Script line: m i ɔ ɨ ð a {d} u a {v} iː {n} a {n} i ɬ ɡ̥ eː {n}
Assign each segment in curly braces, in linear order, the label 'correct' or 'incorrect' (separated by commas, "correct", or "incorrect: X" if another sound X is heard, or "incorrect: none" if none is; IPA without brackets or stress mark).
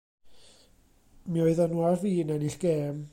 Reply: incorrect: n, correct, correct, correct, incorrect: m